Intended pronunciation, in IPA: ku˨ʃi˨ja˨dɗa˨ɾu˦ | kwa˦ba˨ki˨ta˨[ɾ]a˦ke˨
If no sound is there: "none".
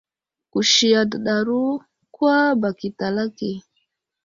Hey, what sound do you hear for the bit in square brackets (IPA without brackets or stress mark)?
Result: l